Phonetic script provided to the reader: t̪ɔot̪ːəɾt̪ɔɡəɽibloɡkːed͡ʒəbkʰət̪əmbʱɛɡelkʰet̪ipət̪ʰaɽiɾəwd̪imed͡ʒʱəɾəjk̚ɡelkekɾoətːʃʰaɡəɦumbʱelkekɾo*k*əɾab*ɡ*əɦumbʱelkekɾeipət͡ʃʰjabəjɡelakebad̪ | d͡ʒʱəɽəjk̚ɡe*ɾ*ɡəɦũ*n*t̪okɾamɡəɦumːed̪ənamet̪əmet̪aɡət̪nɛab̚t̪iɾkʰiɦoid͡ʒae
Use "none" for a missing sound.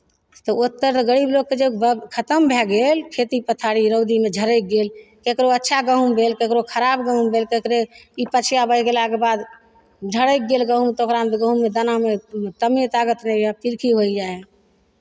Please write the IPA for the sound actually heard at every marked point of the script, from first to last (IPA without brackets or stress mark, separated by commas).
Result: kʰ, ɡ, l, m